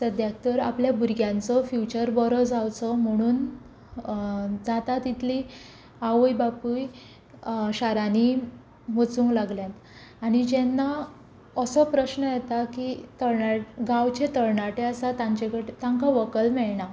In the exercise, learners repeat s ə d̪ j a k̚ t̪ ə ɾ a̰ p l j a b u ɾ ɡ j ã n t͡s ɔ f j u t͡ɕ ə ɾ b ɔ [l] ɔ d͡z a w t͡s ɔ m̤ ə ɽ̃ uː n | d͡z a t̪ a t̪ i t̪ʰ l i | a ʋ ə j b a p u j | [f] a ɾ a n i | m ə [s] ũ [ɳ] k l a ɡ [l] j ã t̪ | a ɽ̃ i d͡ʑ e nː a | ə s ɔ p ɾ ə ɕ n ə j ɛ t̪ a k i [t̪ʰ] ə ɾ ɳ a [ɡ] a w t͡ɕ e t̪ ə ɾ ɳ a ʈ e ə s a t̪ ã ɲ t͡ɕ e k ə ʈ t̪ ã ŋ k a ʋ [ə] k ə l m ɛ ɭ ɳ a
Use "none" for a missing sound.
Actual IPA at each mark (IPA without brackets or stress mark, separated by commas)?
ɾ, ɕ, t͡s, ŋ, l, t̪, ɡ, ə